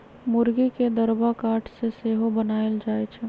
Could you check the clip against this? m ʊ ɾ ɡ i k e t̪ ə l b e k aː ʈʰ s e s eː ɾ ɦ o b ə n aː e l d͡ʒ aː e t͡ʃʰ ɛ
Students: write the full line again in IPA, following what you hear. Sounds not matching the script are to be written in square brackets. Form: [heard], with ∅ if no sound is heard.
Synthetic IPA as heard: m ʊ ɾ ɡ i k e [d̪] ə [ɾ] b [a] k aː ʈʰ s e s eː [∅] ɦ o b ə n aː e l d͡ʒ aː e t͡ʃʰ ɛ

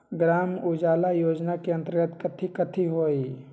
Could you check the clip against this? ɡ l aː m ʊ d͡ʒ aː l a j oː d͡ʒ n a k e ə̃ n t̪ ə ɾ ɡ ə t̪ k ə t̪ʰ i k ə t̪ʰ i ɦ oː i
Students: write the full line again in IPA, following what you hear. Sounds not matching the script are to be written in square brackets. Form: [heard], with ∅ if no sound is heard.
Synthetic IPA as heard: ɡ [ɾ] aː m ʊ d͡ʒ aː l a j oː d͡ʒ n a k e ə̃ n t̪ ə ɾ ɡ ə t̪ k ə t̪ʰ i k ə t̪ʰ i ɦ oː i

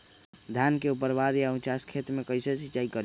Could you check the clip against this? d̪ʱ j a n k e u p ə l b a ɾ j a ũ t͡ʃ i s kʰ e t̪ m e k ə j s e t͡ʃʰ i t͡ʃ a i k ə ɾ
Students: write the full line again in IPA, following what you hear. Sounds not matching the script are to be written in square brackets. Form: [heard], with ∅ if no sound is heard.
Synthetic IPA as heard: d̪ʱ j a n k e u p ə [ɾ] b a ɾ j a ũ t͡ʃ [a] s kʰ e t̪ m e k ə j s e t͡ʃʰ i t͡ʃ a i k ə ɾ

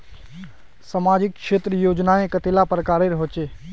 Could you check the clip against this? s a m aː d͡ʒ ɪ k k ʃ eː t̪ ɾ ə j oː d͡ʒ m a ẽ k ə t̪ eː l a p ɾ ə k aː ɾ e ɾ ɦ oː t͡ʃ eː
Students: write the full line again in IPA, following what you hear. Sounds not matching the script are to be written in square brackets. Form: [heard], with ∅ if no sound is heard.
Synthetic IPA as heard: s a m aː d͡ʒ ɪ k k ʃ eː t̪ ɾ ə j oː d͡ʒ [n] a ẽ k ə t̪ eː l a p ɾ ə k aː ɾ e ɾ ɦ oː t͡ʃ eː

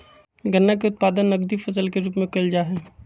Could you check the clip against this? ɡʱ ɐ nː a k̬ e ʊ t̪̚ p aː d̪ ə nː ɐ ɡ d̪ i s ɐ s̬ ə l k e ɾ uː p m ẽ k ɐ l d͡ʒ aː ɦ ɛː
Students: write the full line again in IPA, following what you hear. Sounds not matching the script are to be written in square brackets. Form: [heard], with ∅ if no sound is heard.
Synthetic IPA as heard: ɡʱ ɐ nː a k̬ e ʊ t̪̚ p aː d̪ ə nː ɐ ɡ d̪ i [f] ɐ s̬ ə l k e ɾ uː p m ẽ k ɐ l d͡ʒ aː ɦ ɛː

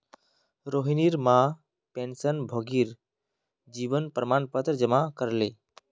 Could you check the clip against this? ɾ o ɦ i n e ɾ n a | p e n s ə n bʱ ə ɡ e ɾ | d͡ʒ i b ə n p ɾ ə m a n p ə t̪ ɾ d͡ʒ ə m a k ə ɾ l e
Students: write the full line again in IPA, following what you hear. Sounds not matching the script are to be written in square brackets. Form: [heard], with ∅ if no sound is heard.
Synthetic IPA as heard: ɾ o ɦ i n [i] ɾ [m] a | p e n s ə n bʱ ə ɡ [i] ɾ | d͡ʒ i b ə n p ɾ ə m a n p ə t̪ ɾ d͡ʒ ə m a k ə ɾ l e

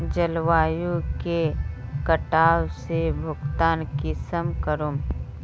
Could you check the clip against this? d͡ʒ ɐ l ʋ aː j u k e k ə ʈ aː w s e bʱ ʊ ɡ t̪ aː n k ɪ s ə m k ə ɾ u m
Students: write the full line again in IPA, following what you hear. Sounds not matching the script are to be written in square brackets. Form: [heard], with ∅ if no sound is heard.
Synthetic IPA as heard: d͡ʒ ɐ l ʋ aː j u k e k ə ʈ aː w s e bʱ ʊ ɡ t̪ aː n k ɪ s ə m k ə ɾ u m

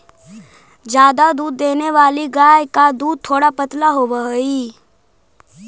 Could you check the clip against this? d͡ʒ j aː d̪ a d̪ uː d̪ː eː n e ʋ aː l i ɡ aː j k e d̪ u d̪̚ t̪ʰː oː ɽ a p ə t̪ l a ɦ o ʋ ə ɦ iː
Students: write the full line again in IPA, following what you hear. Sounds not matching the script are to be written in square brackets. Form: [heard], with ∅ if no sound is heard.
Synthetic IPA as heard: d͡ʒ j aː d̪ a d̪ uː d̪ː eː n e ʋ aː l i ɡ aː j k [a] d̪ [uː] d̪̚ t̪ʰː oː ɽ a p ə t̪ l a ɦ o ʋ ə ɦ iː

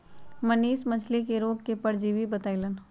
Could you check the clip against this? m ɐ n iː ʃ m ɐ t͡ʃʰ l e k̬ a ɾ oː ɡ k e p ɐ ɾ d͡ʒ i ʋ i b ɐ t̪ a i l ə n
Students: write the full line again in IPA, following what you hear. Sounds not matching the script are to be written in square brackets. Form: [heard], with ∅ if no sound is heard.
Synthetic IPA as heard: m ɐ n iː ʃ m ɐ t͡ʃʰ l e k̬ [e] ɾ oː ɡ k e p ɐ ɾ d͡ʒ i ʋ i b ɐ t̪ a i l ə n

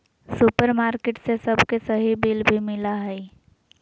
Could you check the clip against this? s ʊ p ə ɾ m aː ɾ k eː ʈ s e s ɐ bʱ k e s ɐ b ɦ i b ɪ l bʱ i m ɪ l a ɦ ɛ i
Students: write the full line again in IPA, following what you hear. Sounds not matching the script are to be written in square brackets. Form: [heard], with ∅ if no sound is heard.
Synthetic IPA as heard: s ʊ p ə ɾ m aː ɾ k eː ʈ s e s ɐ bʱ k e s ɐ [∅] ɦ i b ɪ l bʱ i m ɪ l a ɦ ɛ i

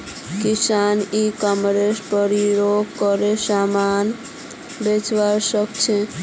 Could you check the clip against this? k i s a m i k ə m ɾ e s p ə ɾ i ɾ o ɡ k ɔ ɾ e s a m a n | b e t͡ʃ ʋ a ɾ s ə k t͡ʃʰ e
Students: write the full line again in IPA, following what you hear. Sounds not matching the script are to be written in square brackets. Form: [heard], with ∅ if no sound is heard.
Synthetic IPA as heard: k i s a [n] i k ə m ɾ e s p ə ɾ i ɾ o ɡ k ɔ ɾ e s a m a n | b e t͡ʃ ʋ a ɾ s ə k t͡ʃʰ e

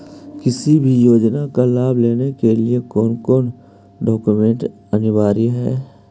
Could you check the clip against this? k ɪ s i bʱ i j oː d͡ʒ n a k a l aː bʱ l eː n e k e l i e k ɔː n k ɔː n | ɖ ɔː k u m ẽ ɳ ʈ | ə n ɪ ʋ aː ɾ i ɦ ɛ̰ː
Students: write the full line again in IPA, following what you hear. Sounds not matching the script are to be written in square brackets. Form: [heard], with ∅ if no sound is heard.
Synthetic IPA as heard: k ɪ s i bʱ i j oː d͡ʒ n a k a l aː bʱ l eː n e k e l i e k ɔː n k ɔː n | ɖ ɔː k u m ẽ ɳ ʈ | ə n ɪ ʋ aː ɾ i ɦ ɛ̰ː

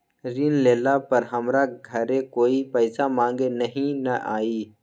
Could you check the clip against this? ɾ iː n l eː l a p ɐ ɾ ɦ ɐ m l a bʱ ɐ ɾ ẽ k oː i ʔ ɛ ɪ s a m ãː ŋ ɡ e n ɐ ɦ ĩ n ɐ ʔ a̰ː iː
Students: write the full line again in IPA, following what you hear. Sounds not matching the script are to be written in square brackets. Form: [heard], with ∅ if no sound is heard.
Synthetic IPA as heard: ɾ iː n l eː l a p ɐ ɾ ɦ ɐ m [ɾ] a [ɡʱ] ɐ ɾ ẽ k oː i [p] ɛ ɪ s a m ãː ŋ ɡ e n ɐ ɦ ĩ n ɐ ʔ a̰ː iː

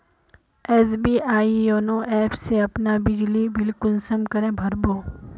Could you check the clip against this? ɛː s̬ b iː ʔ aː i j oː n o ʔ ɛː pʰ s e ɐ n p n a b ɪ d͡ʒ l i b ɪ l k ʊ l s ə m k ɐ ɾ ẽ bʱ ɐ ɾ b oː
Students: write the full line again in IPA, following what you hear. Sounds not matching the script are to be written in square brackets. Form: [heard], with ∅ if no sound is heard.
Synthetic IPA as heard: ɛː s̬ b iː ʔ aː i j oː n o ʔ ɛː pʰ s e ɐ [∅] p n a b ɪ d͡ʒ l i b ɪ l k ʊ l s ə m k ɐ ɾ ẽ bʱ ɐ ɾ b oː

